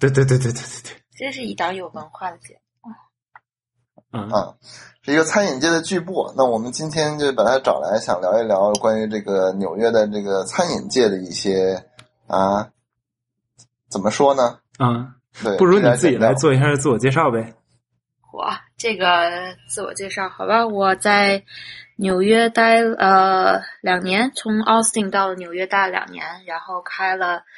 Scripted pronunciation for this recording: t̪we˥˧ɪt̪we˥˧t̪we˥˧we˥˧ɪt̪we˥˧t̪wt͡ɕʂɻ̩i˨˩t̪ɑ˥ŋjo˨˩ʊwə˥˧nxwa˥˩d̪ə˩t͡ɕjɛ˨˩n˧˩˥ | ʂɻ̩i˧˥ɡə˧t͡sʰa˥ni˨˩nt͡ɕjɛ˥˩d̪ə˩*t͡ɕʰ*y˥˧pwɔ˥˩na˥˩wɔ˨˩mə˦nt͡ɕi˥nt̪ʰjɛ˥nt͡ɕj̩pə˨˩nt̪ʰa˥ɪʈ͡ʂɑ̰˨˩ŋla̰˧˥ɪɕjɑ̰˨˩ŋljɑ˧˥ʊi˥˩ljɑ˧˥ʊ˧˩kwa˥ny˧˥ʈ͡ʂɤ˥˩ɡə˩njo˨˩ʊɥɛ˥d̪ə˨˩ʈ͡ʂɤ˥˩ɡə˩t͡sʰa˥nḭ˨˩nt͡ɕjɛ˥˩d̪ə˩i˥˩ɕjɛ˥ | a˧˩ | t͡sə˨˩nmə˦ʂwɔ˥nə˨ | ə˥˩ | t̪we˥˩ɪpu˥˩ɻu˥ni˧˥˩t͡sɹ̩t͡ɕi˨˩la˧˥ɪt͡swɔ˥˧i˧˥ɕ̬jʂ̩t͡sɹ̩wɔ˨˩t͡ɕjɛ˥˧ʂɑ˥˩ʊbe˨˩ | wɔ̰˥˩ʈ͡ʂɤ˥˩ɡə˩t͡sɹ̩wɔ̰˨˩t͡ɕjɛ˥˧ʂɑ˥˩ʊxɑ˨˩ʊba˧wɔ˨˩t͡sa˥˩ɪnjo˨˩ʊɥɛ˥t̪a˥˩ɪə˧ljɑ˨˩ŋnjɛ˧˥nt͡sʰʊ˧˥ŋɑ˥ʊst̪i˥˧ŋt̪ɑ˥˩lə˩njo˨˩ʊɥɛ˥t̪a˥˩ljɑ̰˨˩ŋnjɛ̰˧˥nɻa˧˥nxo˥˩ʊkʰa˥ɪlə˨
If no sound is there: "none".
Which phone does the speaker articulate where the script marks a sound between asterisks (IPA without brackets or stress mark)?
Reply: t͡ɕ